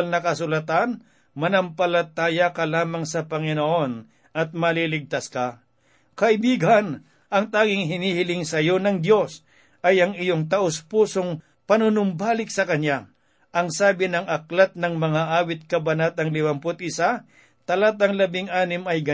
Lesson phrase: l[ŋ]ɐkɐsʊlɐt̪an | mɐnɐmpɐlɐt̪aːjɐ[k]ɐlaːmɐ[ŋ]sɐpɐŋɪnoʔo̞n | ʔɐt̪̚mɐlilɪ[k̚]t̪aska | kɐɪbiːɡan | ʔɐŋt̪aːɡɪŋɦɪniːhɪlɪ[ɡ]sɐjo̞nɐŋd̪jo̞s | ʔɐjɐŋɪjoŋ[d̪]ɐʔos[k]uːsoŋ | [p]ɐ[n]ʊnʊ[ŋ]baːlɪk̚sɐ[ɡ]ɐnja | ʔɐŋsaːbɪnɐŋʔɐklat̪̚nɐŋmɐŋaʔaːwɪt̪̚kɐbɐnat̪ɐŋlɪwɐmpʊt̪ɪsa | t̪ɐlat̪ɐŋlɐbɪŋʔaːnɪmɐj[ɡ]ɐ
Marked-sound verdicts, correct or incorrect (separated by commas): incorrect, correct, correct, incorrect, incorrect, incorrect, incorrect, correct, correct, incorrect, incorrect, correct